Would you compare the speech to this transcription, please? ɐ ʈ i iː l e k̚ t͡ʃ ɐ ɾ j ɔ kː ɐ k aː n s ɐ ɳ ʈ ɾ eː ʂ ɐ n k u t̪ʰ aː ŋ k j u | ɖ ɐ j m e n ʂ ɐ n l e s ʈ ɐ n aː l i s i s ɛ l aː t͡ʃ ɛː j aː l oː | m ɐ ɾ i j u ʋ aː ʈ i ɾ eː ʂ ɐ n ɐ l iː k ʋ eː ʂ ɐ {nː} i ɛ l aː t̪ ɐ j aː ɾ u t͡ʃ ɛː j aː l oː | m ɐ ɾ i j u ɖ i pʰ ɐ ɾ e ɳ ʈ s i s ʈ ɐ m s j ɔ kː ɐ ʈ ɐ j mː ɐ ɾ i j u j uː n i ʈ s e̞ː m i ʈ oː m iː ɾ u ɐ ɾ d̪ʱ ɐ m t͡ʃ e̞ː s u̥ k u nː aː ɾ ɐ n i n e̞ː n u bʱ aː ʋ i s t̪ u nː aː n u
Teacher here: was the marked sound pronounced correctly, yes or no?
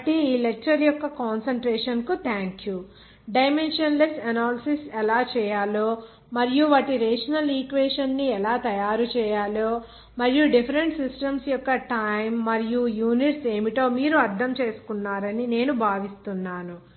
yes